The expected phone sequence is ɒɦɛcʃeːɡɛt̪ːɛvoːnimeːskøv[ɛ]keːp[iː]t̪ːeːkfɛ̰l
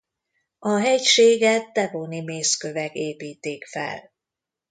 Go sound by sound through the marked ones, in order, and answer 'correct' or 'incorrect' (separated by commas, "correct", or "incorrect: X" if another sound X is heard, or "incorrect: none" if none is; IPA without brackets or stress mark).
correct, correct